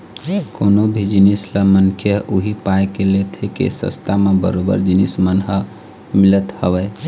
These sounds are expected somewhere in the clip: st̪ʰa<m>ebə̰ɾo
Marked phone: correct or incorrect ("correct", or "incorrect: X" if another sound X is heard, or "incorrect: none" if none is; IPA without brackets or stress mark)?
correct